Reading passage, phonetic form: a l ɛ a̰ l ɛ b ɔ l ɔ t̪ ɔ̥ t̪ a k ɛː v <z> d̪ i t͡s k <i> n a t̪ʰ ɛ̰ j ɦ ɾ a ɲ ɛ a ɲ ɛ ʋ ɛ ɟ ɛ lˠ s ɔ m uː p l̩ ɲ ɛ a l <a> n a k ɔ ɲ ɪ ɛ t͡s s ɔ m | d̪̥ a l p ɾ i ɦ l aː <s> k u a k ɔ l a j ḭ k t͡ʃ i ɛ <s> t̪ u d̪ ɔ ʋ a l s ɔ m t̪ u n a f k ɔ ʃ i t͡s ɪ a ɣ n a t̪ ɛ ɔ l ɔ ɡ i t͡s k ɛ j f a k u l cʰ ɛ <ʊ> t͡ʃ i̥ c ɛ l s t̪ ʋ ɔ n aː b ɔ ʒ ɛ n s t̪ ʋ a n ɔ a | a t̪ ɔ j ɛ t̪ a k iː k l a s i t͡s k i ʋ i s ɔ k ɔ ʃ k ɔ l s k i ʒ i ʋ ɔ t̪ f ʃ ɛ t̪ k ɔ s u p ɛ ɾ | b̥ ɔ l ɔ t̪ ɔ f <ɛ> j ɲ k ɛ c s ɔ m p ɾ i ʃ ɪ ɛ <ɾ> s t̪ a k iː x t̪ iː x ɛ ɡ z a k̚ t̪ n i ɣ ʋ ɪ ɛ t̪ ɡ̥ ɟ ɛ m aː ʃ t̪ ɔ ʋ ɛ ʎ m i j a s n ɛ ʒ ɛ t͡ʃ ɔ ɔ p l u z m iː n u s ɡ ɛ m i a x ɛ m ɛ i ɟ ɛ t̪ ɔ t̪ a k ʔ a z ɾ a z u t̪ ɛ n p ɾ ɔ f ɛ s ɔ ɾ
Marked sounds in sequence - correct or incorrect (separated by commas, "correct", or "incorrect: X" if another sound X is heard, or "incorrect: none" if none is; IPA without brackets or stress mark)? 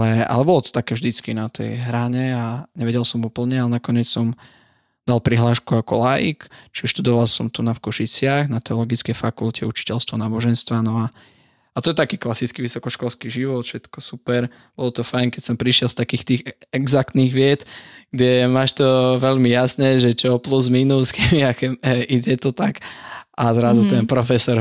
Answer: incorrect: ʒ, correct, incorrect: ɛ, incorrect: ʃ, incorrect: ʃ, incorrect: u, incorrect: a, incorrect: l